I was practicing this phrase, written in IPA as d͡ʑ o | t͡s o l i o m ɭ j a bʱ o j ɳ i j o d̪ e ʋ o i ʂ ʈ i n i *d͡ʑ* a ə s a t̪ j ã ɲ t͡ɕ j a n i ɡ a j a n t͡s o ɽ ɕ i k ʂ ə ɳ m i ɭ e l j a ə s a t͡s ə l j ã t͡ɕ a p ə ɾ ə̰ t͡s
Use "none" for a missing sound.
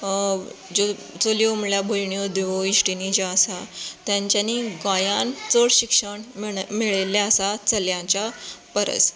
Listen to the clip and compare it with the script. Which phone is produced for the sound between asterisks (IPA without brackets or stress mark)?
d͡ʑ